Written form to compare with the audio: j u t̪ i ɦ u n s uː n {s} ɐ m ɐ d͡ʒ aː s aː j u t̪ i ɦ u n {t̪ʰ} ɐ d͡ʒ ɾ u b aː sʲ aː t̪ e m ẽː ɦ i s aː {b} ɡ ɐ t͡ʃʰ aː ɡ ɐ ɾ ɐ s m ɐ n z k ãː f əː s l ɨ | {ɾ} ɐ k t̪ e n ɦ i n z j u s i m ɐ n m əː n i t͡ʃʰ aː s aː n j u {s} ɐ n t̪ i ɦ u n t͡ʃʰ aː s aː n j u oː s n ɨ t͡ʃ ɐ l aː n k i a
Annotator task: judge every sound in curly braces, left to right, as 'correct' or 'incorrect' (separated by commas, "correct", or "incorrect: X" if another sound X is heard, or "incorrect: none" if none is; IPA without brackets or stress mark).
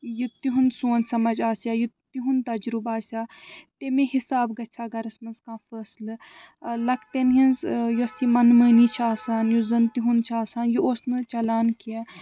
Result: correct, incorrect: t̪, correct, incorrect: l, incorrect: z